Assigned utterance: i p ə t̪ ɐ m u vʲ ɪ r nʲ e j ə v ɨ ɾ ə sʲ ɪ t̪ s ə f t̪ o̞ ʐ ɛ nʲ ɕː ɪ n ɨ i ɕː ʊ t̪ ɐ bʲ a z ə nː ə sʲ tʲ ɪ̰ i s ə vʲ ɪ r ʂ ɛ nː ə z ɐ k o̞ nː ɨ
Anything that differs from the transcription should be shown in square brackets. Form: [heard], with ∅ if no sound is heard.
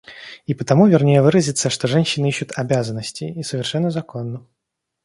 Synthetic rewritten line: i p ə t̪ ɐ m u vʲ ɪ r nʲ e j ə v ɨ ɾ ə [zʲ] ɪ t̪ s ə [ʂ] t̪ o̞ ʐ ɛ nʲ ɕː ɪ n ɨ i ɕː ʊ t̪ ɐ bʲ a z ə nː ə sʲ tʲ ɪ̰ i s ə vʲ ɪ r ʂ ɛ nː ə z ɐ k o̞ nː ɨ